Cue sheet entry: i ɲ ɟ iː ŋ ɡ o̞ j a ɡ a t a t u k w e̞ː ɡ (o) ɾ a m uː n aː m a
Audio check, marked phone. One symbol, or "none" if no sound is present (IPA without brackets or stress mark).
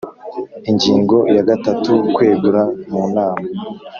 u